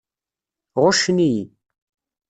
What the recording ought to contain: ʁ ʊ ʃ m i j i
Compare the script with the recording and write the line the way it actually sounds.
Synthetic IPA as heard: ʁ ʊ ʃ n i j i